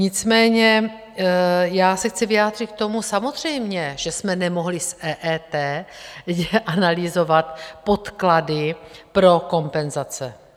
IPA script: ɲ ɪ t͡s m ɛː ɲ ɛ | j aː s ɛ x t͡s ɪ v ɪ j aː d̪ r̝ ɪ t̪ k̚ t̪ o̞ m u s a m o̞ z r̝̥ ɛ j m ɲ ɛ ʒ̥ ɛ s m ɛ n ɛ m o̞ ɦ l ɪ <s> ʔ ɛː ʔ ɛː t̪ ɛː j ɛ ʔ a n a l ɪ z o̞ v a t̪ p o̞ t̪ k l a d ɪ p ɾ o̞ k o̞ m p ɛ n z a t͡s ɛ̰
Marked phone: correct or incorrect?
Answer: correct